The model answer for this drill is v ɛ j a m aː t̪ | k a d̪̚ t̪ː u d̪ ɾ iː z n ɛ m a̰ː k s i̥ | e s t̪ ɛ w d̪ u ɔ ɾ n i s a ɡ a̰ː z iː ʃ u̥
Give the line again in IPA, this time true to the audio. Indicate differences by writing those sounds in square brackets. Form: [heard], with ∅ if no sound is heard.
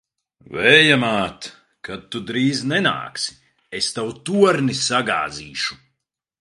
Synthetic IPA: v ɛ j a m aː t̪ | k a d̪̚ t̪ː u d̪ ɾ iː z n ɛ [n] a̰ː k s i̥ | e s t̪ [a] w [t̪] u ɔ ɾ n i s a ɡ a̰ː z iː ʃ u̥